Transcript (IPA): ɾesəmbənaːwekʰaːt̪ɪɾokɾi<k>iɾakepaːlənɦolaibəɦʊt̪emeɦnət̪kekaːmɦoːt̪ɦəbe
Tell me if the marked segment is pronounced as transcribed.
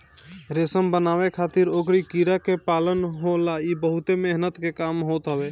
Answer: yes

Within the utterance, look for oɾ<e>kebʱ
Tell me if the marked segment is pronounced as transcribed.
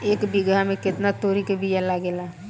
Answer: no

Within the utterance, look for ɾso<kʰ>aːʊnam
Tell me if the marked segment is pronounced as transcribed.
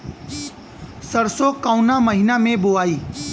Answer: no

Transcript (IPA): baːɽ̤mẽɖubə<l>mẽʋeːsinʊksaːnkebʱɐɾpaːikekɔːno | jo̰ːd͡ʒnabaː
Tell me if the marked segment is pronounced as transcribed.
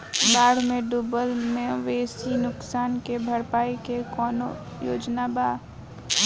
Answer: yes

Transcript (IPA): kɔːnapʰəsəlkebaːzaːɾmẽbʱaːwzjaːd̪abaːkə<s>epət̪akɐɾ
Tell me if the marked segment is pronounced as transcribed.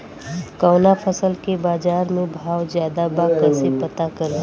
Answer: yes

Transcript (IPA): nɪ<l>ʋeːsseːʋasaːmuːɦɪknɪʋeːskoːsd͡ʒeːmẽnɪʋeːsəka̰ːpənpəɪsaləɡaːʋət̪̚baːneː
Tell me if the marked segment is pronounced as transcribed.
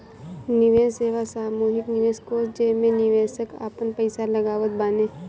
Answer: no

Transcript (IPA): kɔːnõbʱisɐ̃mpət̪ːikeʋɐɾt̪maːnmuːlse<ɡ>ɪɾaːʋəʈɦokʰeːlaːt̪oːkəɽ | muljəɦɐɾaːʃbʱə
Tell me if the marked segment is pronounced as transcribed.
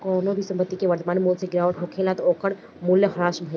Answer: yes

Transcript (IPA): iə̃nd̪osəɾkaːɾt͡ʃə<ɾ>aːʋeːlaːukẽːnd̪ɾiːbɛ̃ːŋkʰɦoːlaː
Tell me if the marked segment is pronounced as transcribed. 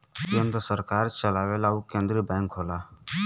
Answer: no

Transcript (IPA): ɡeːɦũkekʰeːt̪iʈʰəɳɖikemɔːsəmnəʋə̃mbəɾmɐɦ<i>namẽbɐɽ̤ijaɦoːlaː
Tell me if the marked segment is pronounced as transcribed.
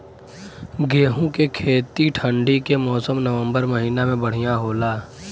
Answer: no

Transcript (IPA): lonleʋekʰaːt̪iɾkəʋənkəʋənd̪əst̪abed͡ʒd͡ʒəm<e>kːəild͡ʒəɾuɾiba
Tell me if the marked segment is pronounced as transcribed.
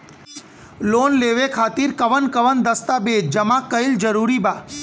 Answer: no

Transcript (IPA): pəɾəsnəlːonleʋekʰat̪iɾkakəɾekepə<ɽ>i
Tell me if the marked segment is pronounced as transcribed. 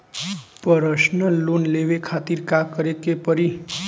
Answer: no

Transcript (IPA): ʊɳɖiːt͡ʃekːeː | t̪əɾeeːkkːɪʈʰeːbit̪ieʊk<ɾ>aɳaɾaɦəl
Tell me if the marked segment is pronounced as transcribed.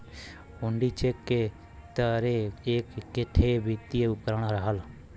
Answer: yes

